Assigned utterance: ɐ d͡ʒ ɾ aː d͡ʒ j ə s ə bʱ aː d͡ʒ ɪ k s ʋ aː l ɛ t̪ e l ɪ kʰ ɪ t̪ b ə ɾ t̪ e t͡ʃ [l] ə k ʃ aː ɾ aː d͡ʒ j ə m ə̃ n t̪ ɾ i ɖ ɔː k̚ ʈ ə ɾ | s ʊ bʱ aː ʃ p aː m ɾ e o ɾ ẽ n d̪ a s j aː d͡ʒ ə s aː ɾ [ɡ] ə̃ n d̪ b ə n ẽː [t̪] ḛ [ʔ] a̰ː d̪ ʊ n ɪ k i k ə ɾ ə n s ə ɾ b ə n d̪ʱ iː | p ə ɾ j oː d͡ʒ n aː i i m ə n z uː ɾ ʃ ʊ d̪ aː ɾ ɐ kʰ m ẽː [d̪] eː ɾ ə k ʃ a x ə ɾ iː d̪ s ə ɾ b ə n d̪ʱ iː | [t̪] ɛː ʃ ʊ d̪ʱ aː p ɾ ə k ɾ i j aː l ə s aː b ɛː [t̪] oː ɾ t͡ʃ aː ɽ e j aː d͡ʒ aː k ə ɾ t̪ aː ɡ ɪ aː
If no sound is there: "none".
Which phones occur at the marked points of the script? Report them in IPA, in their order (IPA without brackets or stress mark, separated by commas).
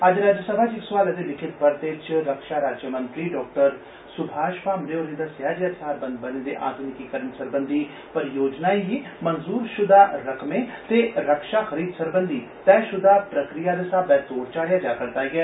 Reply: ɾ, b, d̪, ʔ, t̪, t̪, t̪